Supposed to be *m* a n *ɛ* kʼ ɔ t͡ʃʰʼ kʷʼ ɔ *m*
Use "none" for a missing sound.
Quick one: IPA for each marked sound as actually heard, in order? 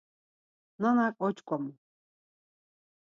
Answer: n, a, m

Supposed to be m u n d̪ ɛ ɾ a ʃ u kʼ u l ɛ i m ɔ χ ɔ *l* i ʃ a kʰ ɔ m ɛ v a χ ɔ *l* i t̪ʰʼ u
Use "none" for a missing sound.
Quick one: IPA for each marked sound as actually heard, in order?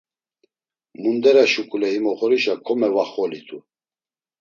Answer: ɾ, l

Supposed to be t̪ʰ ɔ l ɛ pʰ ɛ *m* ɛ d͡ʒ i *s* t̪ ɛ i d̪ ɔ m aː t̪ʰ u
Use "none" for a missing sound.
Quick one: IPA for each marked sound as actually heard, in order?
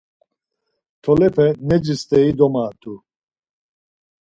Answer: n, s

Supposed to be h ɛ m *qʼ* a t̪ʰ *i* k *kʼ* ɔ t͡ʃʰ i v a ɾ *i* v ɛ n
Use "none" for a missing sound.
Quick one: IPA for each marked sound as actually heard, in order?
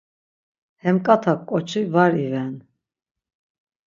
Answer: kʼ, a, kʼ, i

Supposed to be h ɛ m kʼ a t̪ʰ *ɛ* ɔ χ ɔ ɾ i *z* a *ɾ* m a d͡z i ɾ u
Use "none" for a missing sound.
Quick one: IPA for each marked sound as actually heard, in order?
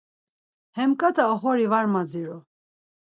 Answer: a, v, ɾ

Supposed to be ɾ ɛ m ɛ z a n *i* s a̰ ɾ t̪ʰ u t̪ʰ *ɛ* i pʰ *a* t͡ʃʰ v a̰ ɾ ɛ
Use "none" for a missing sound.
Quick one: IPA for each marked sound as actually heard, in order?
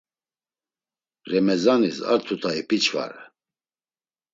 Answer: i, a, i

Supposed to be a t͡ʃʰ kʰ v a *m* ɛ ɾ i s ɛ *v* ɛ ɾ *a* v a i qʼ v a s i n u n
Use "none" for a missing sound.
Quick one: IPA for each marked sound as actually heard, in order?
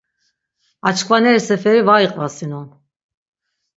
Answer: n, f, i

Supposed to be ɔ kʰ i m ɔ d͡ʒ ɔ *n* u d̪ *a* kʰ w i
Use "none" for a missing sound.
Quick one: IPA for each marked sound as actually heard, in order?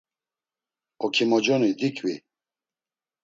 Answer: n, i

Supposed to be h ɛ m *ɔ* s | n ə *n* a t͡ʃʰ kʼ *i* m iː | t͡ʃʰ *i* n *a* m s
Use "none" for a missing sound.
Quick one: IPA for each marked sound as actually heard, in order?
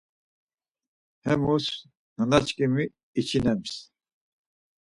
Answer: u, n, i, i, ɛ

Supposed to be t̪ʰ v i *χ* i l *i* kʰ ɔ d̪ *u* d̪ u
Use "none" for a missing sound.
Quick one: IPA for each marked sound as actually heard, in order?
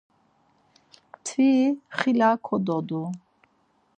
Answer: χ, a, ɔ

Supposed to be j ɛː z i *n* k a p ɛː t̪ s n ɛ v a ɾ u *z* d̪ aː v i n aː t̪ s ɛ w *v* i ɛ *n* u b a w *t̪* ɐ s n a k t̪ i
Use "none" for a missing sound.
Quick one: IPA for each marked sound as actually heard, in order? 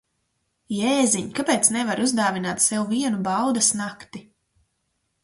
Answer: ɲ, z, v, n, d̪

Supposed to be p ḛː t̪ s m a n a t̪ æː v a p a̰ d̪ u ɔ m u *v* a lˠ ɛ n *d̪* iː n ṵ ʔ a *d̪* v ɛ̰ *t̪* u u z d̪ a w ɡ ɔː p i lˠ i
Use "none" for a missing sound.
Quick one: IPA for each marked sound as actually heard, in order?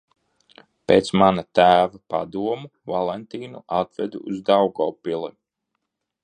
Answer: v, t̪, t̪, d̪

